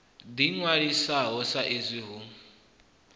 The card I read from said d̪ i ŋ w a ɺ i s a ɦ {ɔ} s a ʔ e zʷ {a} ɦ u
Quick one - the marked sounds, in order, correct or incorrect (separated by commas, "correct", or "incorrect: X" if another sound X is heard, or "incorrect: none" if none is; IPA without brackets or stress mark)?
correct, incorrect: i